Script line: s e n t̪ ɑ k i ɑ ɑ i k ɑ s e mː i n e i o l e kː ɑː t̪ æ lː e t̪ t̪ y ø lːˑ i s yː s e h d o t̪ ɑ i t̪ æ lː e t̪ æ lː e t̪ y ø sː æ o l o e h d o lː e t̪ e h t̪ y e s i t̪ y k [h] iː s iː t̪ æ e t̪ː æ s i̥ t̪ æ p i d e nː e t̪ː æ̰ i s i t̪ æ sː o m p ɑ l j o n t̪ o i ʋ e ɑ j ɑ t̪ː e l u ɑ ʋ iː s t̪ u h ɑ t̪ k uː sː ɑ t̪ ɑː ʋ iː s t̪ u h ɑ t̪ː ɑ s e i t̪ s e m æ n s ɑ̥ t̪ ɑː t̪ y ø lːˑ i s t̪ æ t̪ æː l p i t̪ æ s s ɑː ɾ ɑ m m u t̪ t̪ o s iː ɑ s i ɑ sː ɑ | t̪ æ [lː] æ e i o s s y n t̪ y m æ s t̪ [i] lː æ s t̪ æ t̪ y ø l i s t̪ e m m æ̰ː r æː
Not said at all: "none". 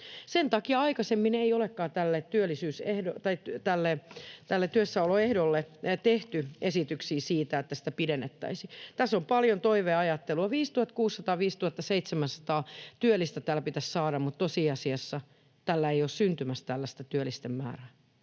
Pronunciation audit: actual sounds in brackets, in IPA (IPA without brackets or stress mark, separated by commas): s, lː, æ